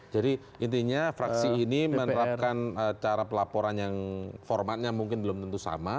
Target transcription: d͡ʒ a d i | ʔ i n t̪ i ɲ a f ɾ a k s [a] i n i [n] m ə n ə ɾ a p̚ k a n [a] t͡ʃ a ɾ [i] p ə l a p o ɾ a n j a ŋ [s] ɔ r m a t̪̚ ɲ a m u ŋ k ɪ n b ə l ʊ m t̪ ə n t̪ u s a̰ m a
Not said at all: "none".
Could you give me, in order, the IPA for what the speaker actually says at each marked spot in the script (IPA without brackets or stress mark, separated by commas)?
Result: i, none, ə, a, f